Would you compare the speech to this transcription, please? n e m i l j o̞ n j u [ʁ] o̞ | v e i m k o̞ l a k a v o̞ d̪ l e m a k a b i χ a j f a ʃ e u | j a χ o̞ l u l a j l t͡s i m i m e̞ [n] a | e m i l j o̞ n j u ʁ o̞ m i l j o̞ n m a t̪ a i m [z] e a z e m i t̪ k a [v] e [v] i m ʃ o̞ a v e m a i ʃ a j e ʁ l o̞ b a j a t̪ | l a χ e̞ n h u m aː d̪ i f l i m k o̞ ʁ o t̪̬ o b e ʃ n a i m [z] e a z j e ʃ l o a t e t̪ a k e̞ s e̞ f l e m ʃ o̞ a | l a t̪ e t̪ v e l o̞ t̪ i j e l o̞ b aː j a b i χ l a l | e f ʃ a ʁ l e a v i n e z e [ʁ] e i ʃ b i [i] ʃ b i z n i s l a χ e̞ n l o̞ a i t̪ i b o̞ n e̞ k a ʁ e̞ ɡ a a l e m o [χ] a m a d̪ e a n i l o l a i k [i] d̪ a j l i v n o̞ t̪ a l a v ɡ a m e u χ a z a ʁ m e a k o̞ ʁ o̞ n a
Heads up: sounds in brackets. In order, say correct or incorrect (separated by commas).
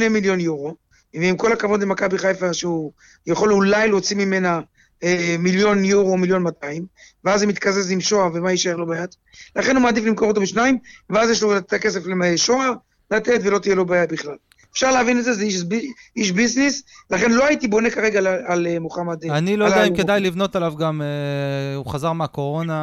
correct, correct, incorrect, incorrect, incorrect, incorrect, incorrect, correct, correct, incorrect